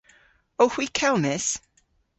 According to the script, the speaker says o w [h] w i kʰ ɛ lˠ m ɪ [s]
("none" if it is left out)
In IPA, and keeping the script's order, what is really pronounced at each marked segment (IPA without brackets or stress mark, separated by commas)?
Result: h, s